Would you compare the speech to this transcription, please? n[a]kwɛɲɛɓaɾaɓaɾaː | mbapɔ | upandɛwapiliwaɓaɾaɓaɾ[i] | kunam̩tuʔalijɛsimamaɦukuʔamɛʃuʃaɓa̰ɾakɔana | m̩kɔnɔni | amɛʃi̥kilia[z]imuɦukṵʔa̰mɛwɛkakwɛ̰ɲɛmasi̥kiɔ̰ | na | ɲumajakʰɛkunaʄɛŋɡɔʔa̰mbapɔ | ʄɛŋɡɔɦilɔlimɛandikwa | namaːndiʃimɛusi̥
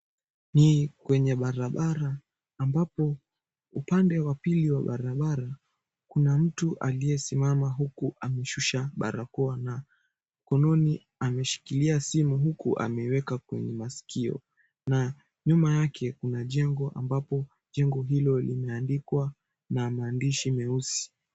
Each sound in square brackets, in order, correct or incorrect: incorrect: i, incorrect: a, incorrect: s

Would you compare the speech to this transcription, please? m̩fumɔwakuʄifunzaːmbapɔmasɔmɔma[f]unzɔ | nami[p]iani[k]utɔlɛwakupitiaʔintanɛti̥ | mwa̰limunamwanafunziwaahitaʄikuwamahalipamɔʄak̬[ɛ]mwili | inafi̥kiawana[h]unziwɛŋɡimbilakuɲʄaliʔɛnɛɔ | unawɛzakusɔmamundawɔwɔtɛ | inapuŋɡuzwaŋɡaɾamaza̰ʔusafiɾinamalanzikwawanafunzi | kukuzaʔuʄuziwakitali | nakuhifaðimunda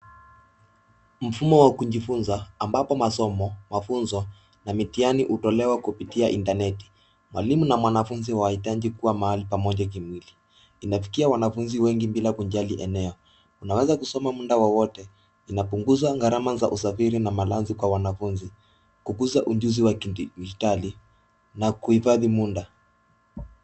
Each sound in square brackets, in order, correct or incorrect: correct, incorrect: t, incorrect: ʔ, incorrect: i, incorrect: f

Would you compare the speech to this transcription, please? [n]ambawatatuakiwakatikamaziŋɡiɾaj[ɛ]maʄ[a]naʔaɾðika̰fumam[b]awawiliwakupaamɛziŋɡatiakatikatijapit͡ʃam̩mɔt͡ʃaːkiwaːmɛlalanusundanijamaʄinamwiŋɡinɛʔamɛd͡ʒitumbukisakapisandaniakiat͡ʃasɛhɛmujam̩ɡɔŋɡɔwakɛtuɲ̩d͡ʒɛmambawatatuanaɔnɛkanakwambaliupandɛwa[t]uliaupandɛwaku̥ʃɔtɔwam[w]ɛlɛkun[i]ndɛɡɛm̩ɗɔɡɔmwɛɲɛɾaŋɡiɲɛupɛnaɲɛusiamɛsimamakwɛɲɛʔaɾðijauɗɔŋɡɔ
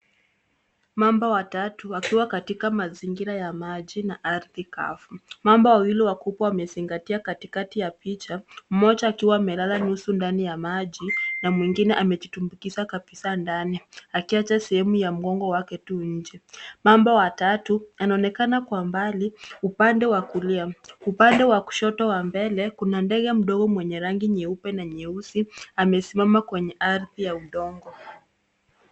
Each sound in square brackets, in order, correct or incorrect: incorrect: m, incorrect: a, incorrect: i, correct, incorrect: k, incorrect: b, incorrect: a

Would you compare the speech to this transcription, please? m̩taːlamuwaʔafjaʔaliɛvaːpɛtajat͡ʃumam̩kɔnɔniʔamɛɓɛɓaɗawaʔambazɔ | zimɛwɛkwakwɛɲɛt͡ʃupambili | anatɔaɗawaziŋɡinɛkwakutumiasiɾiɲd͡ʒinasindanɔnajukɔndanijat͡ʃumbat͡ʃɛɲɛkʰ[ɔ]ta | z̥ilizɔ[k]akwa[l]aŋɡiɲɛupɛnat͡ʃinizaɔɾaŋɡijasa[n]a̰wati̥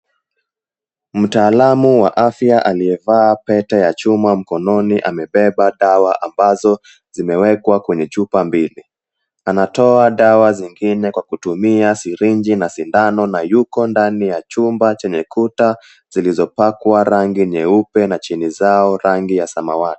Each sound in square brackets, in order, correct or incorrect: incorrect: u, incorrect: p, incorrect: ɾ, incorrect: m

